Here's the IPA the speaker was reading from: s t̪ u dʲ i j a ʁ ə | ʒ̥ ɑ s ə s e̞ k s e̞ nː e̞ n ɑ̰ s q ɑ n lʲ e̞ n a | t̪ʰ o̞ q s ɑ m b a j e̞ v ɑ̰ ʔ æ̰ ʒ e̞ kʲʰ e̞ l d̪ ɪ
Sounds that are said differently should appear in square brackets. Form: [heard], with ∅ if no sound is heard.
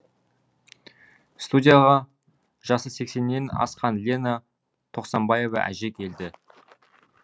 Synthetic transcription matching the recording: s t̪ u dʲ i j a ʁ [ɑ] | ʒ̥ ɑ s ə s e̞ k s e̞ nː e̞ n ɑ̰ s q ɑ n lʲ e̞ n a | t̪ʰ o̞ q s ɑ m b [ɑ] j e̞ v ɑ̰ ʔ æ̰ ʒ e̞ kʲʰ e̞ l d̪ ɪ